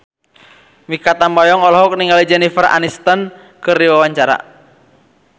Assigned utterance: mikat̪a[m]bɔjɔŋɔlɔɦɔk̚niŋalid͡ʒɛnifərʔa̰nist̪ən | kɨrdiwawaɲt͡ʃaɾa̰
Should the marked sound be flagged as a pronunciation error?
no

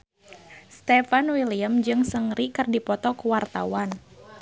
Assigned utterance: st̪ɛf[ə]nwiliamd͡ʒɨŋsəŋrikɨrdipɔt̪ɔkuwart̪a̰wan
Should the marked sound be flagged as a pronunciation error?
yes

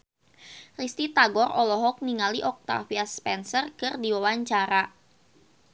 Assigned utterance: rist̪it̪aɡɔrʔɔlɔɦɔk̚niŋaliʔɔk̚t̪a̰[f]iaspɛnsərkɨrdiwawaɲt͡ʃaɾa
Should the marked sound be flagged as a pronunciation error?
no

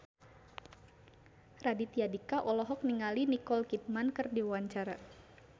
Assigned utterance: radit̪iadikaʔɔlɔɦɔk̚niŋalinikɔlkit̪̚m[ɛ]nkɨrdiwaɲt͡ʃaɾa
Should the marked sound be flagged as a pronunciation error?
yes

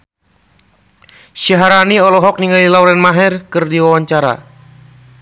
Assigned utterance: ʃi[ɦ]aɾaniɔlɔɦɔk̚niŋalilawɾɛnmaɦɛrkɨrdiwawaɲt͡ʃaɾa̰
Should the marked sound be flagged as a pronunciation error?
no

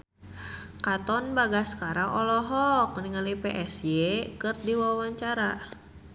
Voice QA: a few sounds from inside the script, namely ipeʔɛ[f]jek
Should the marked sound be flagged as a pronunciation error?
yes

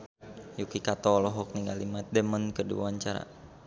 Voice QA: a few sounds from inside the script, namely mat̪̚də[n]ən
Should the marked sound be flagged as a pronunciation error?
yes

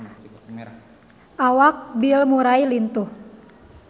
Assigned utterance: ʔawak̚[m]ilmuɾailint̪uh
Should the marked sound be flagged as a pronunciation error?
yes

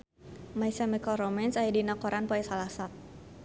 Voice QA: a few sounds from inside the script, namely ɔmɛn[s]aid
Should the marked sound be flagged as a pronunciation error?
no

